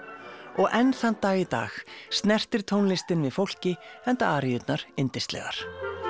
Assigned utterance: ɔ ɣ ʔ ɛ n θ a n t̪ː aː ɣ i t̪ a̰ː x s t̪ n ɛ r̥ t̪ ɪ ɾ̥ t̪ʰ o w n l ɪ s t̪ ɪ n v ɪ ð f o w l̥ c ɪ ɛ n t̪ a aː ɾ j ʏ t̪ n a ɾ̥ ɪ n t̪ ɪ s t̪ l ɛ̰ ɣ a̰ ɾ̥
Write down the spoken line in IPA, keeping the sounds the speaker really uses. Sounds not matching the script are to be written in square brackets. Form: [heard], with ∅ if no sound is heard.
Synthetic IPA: ɔ ɣ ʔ ɛ n θ a n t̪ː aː ɣ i t̪ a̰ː x s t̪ n ɛ r̥ t̪ ɪ ɾ̥ t̪ʰ o w n l ɪ s t̪ ɪ n v ɪ ð f o w l̥ c ɪ ɛ n t̪ a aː ɾ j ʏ t̪ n a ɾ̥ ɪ n t̪ ɪ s t̪ l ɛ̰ ɣ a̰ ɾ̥

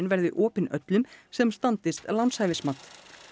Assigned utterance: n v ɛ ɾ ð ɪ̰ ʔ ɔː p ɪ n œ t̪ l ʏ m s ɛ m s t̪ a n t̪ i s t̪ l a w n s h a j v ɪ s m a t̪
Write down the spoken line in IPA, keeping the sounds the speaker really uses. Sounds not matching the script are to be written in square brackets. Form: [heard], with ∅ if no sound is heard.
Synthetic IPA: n v ɛ ɾ ð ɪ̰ ʔ ɔː p ɪ n œ t̪ l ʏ m s ɛ m s t̪ a n t̪ [ɪ] s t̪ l a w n s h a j v ɪ s m a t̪

